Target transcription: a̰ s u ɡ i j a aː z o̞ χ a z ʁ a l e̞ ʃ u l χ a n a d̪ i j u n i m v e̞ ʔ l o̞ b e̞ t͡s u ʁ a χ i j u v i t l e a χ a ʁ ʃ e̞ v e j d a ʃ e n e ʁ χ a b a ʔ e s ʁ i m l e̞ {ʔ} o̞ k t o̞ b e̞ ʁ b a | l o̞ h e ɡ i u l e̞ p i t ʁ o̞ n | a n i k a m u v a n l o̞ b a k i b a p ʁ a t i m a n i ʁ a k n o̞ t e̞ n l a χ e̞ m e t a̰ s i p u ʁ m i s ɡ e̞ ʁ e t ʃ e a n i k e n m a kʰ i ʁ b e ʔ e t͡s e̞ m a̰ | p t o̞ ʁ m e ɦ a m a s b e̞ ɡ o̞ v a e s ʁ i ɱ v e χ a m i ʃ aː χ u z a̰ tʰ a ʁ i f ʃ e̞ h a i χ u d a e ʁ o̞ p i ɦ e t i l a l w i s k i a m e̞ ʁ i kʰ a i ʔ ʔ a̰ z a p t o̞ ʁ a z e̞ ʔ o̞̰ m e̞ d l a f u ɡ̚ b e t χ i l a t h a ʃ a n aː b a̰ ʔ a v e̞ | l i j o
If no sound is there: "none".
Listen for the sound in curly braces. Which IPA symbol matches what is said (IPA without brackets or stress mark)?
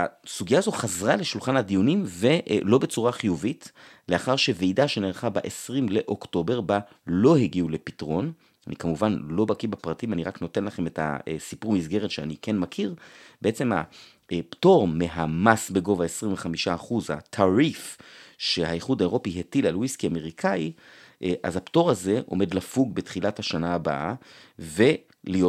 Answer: ʔ